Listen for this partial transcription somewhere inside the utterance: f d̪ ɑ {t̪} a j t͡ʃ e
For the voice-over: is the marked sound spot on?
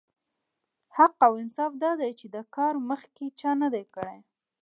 no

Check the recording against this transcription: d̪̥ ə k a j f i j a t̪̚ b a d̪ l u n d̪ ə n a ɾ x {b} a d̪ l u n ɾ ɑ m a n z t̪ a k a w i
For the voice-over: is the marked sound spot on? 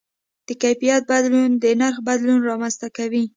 yes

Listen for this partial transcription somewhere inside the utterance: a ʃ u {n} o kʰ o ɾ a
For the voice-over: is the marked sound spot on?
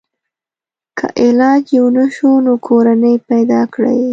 yes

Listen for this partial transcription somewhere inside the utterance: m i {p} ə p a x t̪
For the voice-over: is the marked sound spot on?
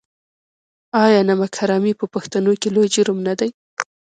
yes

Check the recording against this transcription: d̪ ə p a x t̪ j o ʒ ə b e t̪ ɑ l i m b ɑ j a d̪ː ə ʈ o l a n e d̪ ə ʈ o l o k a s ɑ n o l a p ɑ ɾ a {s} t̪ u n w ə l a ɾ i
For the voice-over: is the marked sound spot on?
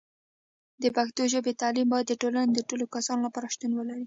no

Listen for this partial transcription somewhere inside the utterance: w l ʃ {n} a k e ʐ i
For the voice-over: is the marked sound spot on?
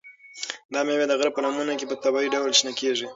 yes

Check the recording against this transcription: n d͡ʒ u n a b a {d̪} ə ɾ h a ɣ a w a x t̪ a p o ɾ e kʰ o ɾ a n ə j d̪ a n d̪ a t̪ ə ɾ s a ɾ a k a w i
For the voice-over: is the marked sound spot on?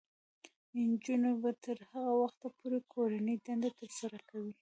no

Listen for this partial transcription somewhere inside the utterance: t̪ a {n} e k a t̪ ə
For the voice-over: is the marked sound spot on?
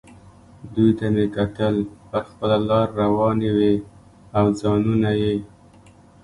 no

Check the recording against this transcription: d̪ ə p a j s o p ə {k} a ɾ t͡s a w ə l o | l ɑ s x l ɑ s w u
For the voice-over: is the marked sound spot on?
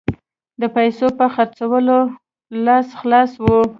no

